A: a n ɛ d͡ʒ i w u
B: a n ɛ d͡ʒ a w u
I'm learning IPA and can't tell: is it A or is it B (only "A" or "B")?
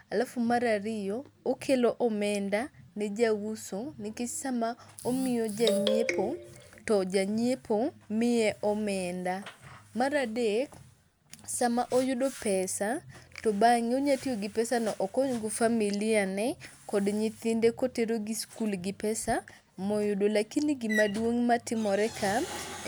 B